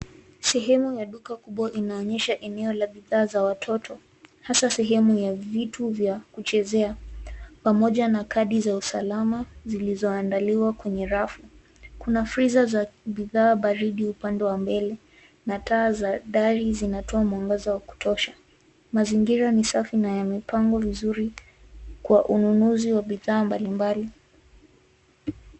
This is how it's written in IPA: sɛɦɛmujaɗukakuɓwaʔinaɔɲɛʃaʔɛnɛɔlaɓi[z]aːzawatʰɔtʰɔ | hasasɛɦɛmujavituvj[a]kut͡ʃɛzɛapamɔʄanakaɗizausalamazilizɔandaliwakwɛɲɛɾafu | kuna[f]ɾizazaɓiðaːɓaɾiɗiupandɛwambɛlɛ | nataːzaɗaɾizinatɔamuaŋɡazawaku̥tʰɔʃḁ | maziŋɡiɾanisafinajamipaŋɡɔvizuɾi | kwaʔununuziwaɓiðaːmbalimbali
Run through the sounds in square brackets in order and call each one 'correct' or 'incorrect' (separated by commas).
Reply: incorrect, correct, correct